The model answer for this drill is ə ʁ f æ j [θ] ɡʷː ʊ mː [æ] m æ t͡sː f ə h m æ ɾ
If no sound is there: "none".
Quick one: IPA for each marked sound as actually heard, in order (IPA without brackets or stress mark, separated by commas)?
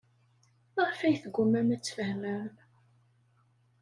θ, æ